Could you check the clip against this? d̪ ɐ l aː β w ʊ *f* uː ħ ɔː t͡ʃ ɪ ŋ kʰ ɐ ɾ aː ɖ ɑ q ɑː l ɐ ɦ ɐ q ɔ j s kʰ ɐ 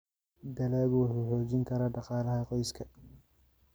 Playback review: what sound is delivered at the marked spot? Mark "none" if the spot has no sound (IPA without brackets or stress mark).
ħ